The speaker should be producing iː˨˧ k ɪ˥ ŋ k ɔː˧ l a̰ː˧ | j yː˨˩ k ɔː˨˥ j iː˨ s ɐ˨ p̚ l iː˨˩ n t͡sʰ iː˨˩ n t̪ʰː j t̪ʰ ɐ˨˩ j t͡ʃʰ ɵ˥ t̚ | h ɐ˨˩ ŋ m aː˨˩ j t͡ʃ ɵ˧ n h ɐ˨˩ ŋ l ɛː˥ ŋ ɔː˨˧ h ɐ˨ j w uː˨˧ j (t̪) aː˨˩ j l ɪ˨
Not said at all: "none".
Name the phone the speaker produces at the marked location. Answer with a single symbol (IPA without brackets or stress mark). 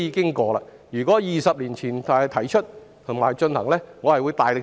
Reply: t̪